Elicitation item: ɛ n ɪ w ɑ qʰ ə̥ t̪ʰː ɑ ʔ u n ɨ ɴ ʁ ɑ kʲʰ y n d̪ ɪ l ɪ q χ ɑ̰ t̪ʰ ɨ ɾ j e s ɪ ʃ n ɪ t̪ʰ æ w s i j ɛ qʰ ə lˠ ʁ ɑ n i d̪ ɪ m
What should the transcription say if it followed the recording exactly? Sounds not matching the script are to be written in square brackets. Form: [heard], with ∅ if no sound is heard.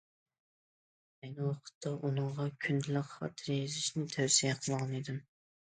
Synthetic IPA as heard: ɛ n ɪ w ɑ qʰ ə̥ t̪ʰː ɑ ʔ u n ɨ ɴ ʁ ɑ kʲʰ y n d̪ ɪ l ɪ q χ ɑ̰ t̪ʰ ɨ ɾ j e [z] ɪ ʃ n ɪ t̪ʰ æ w s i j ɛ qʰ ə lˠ ʁ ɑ n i d̪ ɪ m